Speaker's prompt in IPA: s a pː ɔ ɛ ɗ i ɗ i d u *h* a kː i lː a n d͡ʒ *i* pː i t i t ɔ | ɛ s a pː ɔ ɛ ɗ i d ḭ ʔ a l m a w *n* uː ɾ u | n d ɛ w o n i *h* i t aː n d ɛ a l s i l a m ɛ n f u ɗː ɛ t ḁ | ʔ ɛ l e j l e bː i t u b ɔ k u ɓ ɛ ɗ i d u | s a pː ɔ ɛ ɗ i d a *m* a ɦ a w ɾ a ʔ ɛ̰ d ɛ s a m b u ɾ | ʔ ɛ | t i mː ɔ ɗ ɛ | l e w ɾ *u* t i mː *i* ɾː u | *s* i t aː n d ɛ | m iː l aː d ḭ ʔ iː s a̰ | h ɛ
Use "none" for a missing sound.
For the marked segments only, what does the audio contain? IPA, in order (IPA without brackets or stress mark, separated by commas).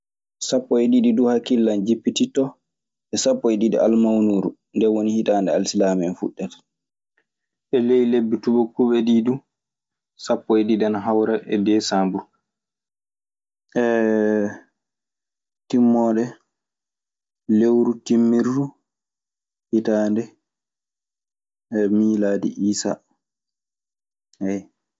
h, i, n, h, n, u, i, h